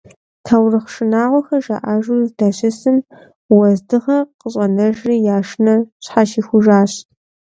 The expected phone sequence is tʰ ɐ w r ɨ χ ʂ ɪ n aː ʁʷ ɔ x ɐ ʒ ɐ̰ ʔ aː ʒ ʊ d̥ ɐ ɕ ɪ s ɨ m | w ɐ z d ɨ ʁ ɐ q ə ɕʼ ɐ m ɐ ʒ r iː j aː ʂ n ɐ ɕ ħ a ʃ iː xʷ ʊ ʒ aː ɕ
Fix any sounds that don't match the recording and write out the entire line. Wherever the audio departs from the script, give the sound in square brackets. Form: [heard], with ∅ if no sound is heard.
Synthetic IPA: tʰ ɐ w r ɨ χ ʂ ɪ n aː ʁʷ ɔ x ɐ ʒ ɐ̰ ʔ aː ʒ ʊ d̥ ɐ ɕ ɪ s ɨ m | w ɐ z d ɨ ʁ ɐ q ə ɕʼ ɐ [n] ɐ ʒ r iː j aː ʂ n ɐ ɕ ħ a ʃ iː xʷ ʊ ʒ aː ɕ